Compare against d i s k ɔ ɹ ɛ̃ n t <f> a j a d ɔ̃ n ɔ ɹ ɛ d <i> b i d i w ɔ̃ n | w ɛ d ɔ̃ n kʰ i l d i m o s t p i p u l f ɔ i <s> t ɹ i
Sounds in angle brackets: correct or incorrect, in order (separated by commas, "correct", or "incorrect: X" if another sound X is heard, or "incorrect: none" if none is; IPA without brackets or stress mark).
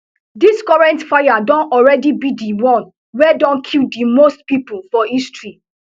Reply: correct, correct, correct